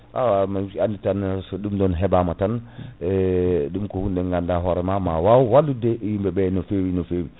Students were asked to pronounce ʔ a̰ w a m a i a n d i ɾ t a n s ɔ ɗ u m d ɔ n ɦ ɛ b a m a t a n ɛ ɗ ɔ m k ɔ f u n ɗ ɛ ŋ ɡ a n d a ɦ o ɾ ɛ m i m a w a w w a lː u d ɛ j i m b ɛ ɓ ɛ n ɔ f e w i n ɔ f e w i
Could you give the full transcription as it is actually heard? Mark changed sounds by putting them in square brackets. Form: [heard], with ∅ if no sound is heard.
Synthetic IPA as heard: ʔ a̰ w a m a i a n d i [∅] t a n s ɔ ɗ u m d ɔ n ɦ ɛ b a m a t a n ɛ ɗ [u] m k ɔ [h] u n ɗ ɛ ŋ ɡ a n d a ɦ [ɔ] ɾ ɛ m [a] m a w a w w a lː u d ɛ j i m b ɛ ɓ ɛ n ɔ f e w i n ɔ f e w i